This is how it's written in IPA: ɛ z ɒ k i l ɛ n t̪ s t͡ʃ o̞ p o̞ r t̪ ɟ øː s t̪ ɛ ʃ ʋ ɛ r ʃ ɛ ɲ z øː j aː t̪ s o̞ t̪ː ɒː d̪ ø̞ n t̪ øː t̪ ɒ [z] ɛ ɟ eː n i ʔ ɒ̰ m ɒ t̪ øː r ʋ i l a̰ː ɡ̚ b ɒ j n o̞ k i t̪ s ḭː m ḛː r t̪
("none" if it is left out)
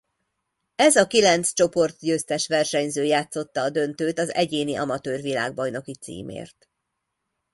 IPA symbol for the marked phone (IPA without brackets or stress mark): z